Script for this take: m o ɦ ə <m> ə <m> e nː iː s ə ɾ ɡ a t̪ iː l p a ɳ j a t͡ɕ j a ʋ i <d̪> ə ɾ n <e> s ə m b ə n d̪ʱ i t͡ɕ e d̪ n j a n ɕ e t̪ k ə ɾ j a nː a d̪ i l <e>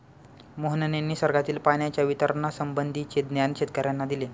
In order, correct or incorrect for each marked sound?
incorrect: n, incorrect: n, incorrect: t̪, incorrect: a, correct

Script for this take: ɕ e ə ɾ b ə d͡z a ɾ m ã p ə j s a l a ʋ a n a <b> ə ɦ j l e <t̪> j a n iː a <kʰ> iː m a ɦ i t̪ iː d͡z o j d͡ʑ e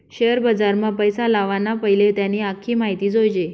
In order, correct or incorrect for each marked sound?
incorrect: p, correct, correct

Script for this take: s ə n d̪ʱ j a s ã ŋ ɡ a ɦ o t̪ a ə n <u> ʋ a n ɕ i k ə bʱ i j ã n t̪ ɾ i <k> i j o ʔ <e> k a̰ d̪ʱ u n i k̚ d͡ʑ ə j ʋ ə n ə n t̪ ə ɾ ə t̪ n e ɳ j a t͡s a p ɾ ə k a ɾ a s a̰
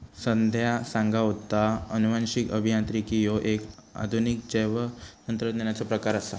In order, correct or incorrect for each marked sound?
correct, correct, correct

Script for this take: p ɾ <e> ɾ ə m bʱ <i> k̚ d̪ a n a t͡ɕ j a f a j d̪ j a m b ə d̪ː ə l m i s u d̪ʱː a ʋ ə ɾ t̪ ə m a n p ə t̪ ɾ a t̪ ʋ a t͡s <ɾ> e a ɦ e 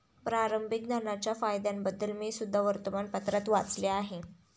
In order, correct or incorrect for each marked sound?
incorrect: a, correct, incorrect: l

